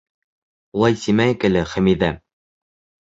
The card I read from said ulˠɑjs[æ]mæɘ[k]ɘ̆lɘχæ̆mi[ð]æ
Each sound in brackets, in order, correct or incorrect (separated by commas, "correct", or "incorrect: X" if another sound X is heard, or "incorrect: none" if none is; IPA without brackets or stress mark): incorrect: i, correct, correct